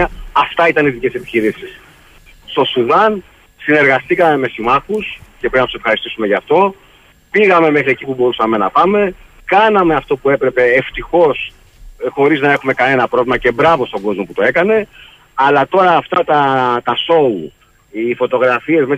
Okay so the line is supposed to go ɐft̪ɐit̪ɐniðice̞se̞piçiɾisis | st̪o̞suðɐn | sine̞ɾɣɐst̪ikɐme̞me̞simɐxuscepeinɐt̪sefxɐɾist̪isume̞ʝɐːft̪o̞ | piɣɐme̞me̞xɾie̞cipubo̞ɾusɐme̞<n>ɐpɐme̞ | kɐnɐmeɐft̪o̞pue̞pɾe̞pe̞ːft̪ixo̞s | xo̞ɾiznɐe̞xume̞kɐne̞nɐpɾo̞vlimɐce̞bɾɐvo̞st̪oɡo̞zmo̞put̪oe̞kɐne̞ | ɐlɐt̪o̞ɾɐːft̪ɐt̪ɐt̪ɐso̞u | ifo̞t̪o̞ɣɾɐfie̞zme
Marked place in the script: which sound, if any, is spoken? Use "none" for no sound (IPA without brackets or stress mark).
n